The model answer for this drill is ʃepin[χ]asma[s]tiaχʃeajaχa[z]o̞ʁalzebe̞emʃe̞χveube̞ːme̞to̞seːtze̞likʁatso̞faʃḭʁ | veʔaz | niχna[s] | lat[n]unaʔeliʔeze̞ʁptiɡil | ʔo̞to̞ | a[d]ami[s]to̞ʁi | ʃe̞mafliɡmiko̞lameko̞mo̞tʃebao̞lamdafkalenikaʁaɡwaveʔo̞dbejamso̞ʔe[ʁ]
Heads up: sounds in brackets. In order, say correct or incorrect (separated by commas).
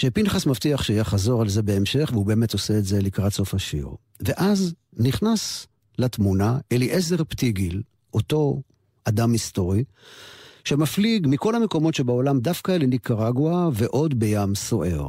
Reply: correct, incorrect, correct, correct, incorrect, correct, correct, correct